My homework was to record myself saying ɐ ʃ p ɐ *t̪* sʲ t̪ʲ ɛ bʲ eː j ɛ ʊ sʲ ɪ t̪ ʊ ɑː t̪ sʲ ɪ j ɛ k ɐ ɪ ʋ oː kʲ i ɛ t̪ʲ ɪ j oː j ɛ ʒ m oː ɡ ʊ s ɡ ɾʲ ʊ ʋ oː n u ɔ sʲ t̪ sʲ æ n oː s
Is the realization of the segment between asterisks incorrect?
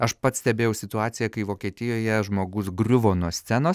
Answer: no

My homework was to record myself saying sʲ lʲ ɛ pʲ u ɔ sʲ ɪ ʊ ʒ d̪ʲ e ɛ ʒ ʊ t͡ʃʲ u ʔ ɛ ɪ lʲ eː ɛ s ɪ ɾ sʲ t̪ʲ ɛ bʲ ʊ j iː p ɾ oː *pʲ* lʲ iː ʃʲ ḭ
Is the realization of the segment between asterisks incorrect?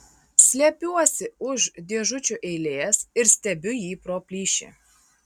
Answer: no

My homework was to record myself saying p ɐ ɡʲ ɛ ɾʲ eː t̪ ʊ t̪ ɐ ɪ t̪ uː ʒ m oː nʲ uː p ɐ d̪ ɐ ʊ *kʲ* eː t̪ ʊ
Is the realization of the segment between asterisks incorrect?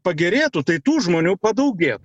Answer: yes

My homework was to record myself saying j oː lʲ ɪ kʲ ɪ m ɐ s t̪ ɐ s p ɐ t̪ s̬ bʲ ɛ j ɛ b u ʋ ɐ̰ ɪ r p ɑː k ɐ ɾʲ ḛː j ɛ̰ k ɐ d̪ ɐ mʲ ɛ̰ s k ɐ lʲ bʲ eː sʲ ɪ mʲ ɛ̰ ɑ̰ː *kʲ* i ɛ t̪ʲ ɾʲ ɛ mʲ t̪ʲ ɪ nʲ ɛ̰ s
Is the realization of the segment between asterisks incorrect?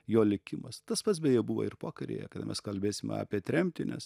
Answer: yes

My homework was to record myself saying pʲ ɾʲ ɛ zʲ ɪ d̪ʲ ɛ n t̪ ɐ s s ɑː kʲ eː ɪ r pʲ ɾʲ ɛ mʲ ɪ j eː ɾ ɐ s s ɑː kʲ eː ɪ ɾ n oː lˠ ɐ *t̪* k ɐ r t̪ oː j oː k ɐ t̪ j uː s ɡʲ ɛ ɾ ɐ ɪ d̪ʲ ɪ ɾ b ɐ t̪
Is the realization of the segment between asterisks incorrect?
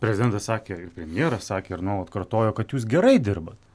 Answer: no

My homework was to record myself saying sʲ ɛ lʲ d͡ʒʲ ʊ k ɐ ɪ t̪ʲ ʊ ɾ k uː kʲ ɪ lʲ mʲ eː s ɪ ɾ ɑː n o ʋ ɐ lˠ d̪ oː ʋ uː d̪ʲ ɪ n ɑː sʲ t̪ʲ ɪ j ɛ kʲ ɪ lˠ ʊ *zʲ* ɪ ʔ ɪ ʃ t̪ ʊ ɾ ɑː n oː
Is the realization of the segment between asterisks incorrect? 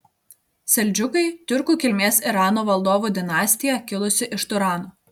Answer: yes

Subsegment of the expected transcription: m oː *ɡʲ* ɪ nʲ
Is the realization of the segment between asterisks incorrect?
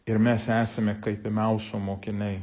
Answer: yes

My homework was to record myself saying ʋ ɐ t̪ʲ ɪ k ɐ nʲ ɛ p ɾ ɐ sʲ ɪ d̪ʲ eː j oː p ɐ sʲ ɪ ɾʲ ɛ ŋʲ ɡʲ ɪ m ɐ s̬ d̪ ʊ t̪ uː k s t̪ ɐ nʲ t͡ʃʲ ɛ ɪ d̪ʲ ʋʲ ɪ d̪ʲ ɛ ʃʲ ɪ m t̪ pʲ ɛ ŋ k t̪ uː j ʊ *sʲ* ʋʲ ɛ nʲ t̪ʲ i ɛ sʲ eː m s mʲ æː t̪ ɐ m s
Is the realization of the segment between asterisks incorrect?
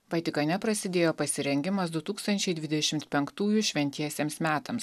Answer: yes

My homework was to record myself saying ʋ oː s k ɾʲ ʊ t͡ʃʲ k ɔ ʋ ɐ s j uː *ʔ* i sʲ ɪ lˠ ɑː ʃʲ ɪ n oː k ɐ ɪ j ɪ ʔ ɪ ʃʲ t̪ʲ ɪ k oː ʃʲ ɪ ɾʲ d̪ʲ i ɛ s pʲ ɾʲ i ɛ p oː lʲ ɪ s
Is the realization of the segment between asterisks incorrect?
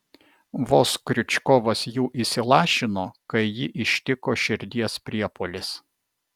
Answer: no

